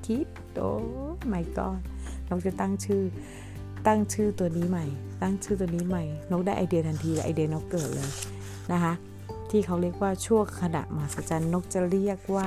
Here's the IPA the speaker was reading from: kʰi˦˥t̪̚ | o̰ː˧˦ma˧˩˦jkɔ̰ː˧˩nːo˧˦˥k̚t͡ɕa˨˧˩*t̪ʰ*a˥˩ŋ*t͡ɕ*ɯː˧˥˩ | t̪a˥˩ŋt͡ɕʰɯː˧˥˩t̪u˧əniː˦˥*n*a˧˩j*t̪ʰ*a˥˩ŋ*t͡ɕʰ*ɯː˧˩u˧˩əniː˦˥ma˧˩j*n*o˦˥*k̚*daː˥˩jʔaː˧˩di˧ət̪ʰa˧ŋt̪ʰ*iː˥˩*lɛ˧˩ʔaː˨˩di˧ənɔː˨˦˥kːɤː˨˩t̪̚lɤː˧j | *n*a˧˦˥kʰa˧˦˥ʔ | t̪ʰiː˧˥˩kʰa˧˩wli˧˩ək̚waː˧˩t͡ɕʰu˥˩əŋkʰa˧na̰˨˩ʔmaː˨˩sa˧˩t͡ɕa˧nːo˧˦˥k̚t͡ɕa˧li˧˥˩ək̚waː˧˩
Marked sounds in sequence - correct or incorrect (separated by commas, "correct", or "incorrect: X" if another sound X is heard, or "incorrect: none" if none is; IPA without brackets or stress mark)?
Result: incorrect: t̪, incorrect: t͡ɕʰ, incorrect: m, incorrect: t̪, correct, correct, correct, incorrect: iː˧, correct